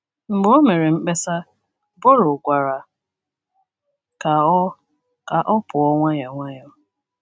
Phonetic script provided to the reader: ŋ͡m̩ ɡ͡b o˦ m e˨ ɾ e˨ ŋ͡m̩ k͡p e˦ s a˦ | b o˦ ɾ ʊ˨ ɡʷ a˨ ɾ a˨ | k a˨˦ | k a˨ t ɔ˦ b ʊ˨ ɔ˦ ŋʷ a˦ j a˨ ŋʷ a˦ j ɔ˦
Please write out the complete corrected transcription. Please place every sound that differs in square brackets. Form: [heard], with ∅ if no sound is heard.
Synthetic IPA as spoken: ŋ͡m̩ ɡ͡b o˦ m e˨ ɾ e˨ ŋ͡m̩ k͡p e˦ s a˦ | b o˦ ɾ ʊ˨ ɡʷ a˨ ɾ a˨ | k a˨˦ | k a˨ [ʔ] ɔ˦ [p] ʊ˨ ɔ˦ ŋʷ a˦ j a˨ ŋʷ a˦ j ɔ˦